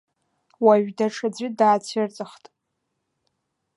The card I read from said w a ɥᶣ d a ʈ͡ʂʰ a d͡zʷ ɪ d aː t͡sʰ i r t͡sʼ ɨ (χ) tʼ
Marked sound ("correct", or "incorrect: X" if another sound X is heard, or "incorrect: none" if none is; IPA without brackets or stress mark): correct